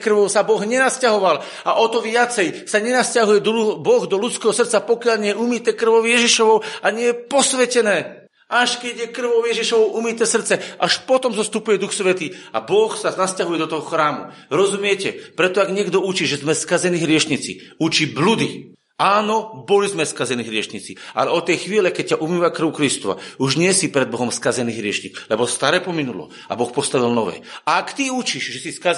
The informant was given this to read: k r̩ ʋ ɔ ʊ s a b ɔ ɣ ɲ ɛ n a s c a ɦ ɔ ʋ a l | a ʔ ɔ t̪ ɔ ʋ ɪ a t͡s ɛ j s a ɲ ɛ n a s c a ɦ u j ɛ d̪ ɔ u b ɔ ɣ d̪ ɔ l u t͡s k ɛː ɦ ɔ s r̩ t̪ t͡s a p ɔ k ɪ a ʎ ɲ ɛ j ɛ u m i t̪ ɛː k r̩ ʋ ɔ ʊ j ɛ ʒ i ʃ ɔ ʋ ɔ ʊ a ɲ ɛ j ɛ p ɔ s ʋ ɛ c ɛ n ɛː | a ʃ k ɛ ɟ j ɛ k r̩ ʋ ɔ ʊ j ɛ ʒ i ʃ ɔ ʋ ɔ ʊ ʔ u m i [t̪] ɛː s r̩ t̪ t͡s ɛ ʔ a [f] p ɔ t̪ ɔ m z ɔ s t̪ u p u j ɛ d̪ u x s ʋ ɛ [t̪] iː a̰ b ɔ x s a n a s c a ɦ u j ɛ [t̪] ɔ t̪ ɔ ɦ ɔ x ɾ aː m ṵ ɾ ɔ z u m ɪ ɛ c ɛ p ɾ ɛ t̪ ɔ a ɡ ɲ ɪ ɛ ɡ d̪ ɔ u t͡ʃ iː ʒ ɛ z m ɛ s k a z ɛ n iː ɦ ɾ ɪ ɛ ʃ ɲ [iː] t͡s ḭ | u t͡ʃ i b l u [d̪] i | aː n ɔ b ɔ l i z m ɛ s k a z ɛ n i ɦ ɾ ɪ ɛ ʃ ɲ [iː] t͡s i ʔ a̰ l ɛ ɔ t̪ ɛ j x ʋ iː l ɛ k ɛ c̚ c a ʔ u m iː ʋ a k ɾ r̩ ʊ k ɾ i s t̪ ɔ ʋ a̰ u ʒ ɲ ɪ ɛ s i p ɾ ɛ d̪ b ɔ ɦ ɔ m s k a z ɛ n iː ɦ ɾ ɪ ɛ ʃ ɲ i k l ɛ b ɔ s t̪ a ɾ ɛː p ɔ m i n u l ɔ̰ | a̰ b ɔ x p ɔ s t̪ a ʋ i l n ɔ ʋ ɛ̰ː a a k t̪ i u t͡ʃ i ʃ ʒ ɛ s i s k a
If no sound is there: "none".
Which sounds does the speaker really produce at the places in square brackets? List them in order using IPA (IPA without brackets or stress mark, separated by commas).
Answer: t̪, ʃ, t̪, d̪, i, d̪, i